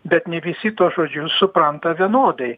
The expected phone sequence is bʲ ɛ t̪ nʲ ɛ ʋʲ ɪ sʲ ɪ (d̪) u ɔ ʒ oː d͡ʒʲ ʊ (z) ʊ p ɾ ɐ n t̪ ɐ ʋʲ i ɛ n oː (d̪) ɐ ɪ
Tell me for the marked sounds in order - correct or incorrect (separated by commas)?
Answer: incorrect, incorrect, correct